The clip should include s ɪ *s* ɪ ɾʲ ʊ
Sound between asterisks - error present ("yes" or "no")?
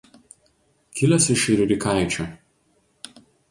yes